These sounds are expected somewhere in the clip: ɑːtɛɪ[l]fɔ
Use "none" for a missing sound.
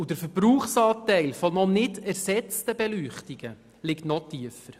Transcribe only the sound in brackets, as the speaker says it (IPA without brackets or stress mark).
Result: l